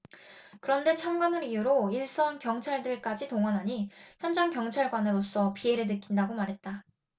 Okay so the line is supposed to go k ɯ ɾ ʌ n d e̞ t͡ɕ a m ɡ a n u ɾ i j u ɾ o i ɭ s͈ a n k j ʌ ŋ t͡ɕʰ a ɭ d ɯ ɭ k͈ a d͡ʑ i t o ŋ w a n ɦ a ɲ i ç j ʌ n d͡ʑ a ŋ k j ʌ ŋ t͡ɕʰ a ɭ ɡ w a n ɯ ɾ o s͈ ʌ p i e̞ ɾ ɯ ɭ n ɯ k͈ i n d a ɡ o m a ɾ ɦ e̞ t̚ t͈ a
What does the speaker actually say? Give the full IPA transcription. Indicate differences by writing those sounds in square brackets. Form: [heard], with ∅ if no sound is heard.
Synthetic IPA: k ɯ ɾ ʌ n d e̞ [t͡ɕʰ] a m ɡ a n [ɯ] ɾ i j u ɾ o i ɭ s͈ [ʌ] n k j ʌ ŋ t͡ɕʰ a ɭ d ɯ ɭ k͈ a d͡ʑ i t o ŋ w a n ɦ a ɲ i ç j ʌ n d͡ʑ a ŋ k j ʌ ŋ t͡ɕʰ a ɭ ɡ w a n ɯ ɾ o s͈ ʌ p i e̞ ɾ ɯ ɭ n ɯ k͈ i n d a ɡ o m a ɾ ɦ e̞ t̚ t͈ a

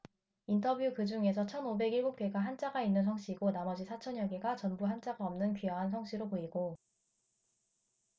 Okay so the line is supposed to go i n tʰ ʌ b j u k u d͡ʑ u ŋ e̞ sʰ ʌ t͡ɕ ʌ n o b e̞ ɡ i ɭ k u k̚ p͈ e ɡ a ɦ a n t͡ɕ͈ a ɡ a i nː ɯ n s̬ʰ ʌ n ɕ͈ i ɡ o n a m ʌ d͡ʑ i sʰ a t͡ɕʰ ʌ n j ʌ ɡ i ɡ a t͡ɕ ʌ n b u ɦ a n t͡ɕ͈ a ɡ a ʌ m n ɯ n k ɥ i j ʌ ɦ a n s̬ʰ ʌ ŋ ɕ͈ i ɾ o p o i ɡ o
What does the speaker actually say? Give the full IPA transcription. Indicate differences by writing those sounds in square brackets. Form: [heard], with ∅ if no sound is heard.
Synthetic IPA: i n tʰ ʌ b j u k [ɯ] d͡ʑ u ŋ e̞ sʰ ʌ [t͡ɕʰ] ʌ n o b e̞ ɡ i ɭ [ɡ] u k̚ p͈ e ɡ a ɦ a n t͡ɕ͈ a ɡ a i nː ɯ n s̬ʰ ʌ [ŋ] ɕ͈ i ɡ o n a m ʌ d͡ʑ i sʰ a t͡ɕʰ ʌ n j ʌ ɡ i ɡ a t͡ɕ ʌ n b u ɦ a n t͡ɕ͈ a ɡ a ʌ m n ɯ n k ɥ i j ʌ ɦ a n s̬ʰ ʌ ŋ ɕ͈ i ɾ o p o i ɡ o

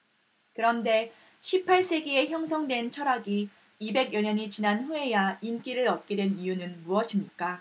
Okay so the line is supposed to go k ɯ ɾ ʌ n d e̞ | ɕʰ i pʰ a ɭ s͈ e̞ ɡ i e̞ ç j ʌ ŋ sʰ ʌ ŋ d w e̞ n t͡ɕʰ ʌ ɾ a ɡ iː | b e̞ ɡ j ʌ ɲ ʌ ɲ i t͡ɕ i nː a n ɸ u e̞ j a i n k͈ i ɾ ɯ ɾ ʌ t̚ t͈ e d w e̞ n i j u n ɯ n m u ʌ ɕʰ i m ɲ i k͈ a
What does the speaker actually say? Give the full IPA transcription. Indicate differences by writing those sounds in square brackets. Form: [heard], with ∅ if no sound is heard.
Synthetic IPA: k ɯ ɾ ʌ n d e̞ | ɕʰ i pʰ a ɭ s͈ e̞ ɡ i e̞ ç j ʌ ŋ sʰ ʌ ŋ d w e̞ n t͡ɕʰ ʌ ɾ a ɡ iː | b e̞ ɡ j ʌ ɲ ʌ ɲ i t͡ɕ i [n] a n ɸ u e̞ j a i n k͈ i ɾ ɯ ɾ ʌ t̚ [k͈] e d w e̞ n i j u n ɯ n m u ʌ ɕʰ i m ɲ i k͈ a

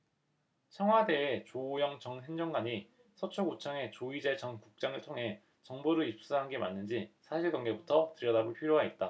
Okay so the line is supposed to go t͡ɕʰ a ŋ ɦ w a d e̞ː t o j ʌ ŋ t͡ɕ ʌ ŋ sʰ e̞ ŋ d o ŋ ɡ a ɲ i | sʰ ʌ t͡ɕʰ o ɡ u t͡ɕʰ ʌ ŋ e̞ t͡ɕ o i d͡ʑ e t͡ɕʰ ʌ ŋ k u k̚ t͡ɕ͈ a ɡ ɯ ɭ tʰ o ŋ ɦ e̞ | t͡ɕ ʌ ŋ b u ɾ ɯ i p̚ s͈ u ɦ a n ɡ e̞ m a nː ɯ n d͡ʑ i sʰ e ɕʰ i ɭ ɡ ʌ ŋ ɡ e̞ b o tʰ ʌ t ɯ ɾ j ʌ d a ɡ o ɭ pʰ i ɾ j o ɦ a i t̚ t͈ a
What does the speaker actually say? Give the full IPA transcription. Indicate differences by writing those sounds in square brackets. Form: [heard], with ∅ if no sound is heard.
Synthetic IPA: t͡ɕʰ [ʌ] ŋ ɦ w a d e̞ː [t͡ɕ] o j ʌ ŋ t͡ɕ ʌ ŋ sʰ e̞ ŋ [d͡ʑ] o ŋ ɡ a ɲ i | sʰ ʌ t͡ɕʰ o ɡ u t͡ɕʰ ʌ ŋ e̞ t͡ɕ o i d͡ʑ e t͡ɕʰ ʌ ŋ k u k̚ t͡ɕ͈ a [ŋ] ɯ ɭ tʰ o ŋ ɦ e̞ | t͡ɕ ʌ ŋ b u ɾ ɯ i p̚ s͈ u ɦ a n ɡ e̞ m a nː ɯ n d͡ʑ i sʰ [a] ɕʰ i ɭ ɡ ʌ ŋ ɡ e̞ b [u] tʰ ʌ t ɯ ɾ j ʌ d a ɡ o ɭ pʰ i ɾ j o ɦ a i t̚ t͈ a

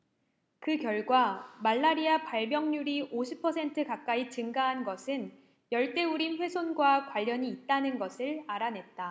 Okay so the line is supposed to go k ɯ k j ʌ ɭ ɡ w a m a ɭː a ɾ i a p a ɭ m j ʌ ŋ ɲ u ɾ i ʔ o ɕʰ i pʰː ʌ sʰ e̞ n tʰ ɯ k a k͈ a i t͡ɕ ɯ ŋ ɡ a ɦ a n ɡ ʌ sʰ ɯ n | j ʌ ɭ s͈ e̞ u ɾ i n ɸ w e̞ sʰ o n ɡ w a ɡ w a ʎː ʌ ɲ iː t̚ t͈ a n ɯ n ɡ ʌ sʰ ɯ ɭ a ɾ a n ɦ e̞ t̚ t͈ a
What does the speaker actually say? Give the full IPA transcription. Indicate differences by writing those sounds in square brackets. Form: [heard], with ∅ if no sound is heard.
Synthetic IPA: k ɯ k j ʌ ɭ ɡ w a m a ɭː a ɾ i a p a ɭ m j ʌ ŋ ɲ u ɾ i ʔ o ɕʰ i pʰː ʌ sʰ e̞ n tʰ ɯ k a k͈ a i t͡ɕ ɯ ŋ ɡ a ɦ a n ɡ ʌ sʰ ɯ n | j ʌ ɭ [t͈] e̞ u ɾ i n ɸ w e̞ sʰ o n ɡ w a [k] w a ʎː ʌ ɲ iː t̚ t͈ a n ɯ n ɡ ʌ sʰ ɯ ɭ a ɾ a n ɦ e̞ t̚ t͈ a

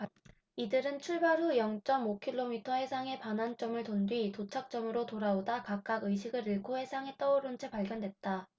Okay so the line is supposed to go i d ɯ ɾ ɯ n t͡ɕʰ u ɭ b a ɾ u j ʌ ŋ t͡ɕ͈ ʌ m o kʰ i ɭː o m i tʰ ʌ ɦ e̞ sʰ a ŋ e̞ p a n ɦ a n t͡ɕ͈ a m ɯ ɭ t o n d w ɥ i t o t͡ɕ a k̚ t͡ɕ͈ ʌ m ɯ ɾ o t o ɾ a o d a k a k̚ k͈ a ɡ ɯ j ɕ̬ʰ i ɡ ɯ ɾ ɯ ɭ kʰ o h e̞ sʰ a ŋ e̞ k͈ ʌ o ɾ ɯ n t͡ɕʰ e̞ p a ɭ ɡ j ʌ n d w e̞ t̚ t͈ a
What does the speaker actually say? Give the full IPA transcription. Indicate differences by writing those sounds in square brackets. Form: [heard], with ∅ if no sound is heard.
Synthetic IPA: i d ɯ ɾ ɯ n t͡ɕʰ u ɭ b a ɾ u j ʌ ŋ t͡ɕ͈ ʌ m o kʰ i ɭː o m i tʰ ʌ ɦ e̞ sʰ a ŋ e̞ p a n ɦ a n t͡ɕ͈ [ʌ] m ɯ ɭ t o n d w ɥ i t o [t͡ɕʰ] a k̚ t͡ɕ͈ ʌ m ɯ ɾ o t o ɾ a o d a k a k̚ k͈ a ɡ ɯ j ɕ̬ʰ i ɡ ɯ ɾ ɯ ɭ kʰ o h e̞ sʰ a ŋ e̞ [t͈] ʌ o ɾ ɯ n t͡ɕʰ e̞ p a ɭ ɡ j ʌ n d w e̞ t̚ t͈ a

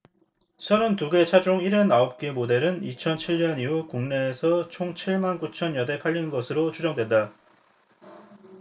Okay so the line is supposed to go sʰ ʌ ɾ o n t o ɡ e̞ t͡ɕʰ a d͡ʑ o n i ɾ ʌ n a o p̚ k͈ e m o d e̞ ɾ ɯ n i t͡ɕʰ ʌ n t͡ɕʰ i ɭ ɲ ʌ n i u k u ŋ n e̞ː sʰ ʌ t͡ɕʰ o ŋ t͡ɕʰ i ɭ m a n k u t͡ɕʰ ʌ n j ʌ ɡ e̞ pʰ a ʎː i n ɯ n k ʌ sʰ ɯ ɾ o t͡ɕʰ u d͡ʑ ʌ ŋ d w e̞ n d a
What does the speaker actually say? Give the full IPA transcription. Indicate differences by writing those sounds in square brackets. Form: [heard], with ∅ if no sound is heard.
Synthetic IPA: sʰ ʌ ɾ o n t [u] ɡ e̞ t͡ɕʰ a d͡ʑ o [ŋ] i ɾ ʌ n a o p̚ k͈ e m o d e̞ ɾ ɯ n i t͡ɕʰ ʌ n t͡ɕʰ i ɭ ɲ ʌ n i u k u ŋ n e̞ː sʰ ʌ t͡ɕʰ o ŋ t͡ɕʰ i ɭ m a n k u t͡ɕʰ ʌ n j ʌ [d] e̞ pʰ a ʎː i n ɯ n [ɡ] ʌ sʰ ɯ ɾ o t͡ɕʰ u d͡ʑ ʌ ŋ d w e̞ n d a

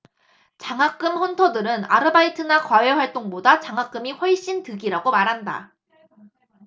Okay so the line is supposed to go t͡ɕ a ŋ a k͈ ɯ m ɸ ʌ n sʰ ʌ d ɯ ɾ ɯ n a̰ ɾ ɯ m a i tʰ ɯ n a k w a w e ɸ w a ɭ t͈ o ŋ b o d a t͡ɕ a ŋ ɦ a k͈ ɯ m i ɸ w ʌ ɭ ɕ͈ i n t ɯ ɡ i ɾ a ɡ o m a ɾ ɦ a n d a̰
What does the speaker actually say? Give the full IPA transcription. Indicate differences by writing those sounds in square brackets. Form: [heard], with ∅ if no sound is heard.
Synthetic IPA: t͡ɕ a ŋ a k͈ ɯ m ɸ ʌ n [tʰ] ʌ d ɯ ɾ ɯ n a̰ ɾ ɯ [b] a i tʰ ɯ n a k w a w e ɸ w a ɭ t͈ o ŋ b o d a t͡ɕ a ŋ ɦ a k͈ ɯ m i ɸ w ʌ ɭ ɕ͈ i n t ɯ ɡ i ɾ a ɡ o m a ɾ ɦ a n d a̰

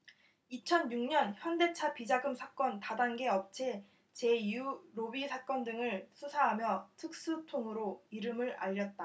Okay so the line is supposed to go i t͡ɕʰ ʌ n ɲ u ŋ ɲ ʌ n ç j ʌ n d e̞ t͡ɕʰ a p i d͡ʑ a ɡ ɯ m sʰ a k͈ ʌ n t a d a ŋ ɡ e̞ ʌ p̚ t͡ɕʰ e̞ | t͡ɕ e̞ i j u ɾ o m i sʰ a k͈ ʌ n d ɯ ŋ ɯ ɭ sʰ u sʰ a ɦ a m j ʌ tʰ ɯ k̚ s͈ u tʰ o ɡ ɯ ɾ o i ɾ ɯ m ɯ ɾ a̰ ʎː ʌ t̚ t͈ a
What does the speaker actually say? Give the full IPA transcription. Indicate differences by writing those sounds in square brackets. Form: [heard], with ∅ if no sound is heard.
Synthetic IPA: i t͡ɕʰ ʌ n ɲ u ŋ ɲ ʌ n ç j ʌ n d e̞ t͡ɕʰ a p i d͡ʑ a ɡ ɯ m sʰ a k͈ ʌ n t a d a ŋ ɡ e̞ ʌ p̚ t͡ɕʰ e̞ | t͡ɕ e̞ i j u ɾ o [b] i sʰ a k͈ ʌ n d ɯ ŋ ɯ ɭ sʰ u sʰ a ɦ a m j ʌ tʰ ɯ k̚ s͈ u tʰ o [ŋ] ɯ ɾ o i ɾ ɯ m ɯ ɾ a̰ ʎː ʌ t̚ t͈ a

